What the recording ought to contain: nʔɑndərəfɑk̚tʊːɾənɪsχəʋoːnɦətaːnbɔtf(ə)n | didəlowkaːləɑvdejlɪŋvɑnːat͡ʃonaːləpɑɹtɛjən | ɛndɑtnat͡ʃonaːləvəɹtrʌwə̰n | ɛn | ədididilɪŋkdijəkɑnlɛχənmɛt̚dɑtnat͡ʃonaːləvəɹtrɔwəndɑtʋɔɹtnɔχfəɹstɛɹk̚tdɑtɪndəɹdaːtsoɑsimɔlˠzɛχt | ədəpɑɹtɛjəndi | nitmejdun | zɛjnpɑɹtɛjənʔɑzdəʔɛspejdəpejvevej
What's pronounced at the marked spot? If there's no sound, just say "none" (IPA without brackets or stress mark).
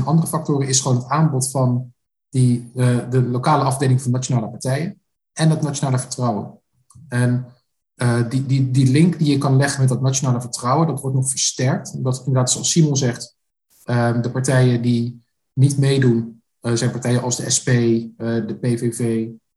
ɑ